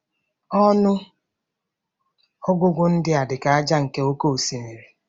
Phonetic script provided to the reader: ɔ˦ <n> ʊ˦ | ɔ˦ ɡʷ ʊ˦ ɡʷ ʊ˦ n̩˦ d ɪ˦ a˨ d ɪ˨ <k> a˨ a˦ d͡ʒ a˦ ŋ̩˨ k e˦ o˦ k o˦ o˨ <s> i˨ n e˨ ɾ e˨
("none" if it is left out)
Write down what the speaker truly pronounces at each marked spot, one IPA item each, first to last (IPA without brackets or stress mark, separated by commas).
n, k, s